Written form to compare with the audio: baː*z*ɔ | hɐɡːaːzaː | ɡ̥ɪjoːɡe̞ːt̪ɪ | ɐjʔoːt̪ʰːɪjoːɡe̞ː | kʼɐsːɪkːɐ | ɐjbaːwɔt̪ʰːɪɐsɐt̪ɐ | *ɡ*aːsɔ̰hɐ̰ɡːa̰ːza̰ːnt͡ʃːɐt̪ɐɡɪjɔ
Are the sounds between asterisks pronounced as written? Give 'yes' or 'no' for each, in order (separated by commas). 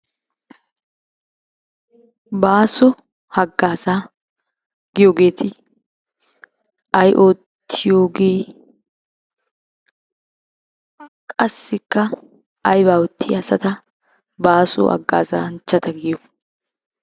no, no